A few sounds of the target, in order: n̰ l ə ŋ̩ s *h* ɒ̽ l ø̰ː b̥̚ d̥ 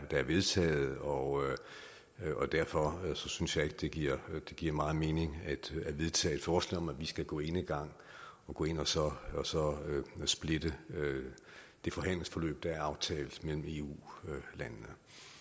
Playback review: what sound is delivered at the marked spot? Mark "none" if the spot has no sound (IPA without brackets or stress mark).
f